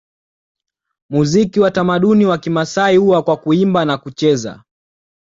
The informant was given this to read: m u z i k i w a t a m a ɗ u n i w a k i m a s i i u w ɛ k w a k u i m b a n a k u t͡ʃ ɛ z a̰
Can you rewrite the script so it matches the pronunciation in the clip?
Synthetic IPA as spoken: m u z i k i w a t a m a ɗ u n i w a k i m a s a i u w a k w a k u i m b a n a k u t͡ʃ ɛ z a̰